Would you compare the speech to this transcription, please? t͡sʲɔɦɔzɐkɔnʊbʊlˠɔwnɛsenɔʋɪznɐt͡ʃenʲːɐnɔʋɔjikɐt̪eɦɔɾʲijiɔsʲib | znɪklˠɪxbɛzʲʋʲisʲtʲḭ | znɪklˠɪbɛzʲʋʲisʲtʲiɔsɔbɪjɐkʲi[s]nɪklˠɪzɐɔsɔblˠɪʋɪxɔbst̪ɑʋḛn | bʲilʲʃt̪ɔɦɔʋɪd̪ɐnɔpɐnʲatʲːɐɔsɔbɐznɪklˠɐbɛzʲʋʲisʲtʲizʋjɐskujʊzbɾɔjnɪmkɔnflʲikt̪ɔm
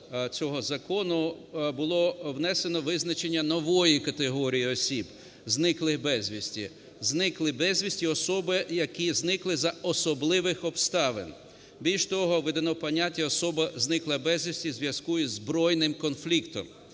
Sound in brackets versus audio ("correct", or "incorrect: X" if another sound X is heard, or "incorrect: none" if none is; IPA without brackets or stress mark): incorrect: z